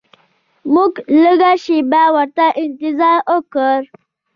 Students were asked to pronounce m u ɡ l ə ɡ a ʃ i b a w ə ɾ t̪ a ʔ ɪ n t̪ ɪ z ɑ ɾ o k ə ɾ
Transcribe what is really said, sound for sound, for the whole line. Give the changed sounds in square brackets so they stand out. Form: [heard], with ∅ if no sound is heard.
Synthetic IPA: m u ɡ l ə ɡ a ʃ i b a w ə ɾ t̪ a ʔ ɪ n t̪ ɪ z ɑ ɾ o k ə ɾ

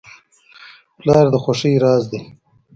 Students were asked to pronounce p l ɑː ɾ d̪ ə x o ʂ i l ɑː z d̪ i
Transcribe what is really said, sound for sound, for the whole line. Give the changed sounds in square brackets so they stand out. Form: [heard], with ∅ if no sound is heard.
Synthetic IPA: p l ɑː ɾ d̪ ə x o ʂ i [ɾ] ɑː z d̪ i

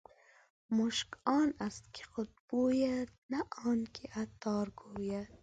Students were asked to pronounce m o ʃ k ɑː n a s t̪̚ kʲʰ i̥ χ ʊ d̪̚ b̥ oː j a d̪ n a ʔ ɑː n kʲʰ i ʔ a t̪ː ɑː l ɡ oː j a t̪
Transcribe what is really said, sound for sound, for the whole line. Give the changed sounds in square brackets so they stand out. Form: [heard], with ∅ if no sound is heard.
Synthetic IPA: m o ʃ k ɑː n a s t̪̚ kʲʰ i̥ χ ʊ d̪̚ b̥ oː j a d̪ n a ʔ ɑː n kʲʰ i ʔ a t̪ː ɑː [ɾ] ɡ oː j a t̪

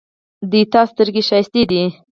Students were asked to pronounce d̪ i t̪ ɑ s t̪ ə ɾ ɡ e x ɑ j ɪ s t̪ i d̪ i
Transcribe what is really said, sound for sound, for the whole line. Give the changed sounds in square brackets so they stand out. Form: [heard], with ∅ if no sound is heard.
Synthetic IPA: d̪ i t̪ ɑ s t̪ ə ɾ ɡ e [ʃ] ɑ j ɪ s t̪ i d̪ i

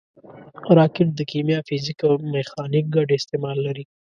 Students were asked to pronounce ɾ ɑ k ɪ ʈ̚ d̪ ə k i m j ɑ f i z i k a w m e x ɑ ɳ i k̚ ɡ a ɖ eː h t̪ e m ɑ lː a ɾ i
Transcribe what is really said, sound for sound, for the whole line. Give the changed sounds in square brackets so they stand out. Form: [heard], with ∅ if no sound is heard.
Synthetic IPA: ɾ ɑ k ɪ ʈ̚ d̪ ə k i m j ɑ f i z i k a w m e x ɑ [n] i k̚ ɡ a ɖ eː [s] t̪ e m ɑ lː a ɾ i

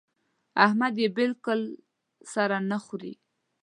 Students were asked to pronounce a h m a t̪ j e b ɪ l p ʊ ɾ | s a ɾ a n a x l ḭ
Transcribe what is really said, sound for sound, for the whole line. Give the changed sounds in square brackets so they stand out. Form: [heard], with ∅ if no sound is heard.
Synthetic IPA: a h m a [d̪] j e b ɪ l [k] ʊ [l] | s a ɾ a n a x [ɾ] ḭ

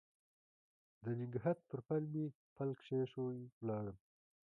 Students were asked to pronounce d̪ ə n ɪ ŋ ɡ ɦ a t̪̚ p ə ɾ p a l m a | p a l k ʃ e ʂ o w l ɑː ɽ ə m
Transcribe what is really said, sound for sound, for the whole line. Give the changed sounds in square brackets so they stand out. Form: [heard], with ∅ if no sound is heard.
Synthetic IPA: d̪ ə n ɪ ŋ ɡ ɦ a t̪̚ p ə ɾ p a l m [i] | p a l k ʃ e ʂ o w l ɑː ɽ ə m

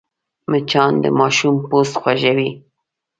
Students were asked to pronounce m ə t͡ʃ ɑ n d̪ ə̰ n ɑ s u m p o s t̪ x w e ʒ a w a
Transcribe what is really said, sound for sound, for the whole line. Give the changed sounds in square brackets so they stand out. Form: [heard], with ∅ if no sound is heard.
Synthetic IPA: m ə t͡ʃ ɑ n d̪ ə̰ [m] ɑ [ʃ] u m p o s t̪ x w [a] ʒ a w [i]

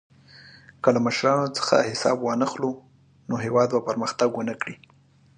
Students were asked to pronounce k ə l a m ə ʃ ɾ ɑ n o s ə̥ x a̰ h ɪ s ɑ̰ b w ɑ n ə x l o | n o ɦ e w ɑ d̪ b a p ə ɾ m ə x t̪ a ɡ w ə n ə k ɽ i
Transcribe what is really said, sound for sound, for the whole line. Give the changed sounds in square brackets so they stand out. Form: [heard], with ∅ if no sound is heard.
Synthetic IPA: k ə l a m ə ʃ ɾ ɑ n o [t͡s] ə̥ x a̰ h ɪ s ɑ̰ b w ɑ n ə x l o | n o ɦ e w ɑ d̪ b a p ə ɾ m ə x t̪ a ɡ w ə n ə k ɽ i

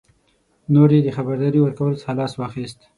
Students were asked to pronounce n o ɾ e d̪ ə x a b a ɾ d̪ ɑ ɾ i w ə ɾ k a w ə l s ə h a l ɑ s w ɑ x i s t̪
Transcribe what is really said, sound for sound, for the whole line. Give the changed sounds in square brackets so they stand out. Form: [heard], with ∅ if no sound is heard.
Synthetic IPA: n o ɾ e d̪ ə x a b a ɾ d̪ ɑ ɾ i w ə ɾ k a w ə l s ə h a l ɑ s w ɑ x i s t̪

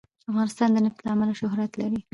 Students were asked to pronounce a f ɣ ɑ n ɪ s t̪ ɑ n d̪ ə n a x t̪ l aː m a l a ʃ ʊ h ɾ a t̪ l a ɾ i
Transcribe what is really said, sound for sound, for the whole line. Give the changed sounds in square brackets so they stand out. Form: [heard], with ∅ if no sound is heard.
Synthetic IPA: a f ɣ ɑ n ɪ s t̪ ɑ n d̪ ə n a [f] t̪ l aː m a l a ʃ ʊ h ɾ a t̪ l a ɾ i

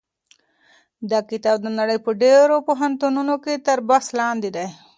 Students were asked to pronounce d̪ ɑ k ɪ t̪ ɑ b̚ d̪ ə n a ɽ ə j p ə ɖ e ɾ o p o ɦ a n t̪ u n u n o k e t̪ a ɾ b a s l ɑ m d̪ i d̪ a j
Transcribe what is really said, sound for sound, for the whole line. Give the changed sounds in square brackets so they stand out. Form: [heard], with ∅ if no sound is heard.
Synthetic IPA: d̪ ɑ k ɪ t̪ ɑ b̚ d̪ ə n a ɽ ə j p ə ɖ e ɾ o p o ɦ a n t̪ u n u n o k e t̪ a ɾ b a s l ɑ [n] d̪ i d̪ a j

